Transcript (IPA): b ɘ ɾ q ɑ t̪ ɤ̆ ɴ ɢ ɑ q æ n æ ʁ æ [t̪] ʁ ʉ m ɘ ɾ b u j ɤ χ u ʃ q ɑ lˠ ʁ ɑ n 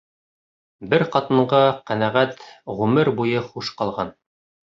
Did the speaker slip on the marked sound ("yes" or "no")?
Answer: no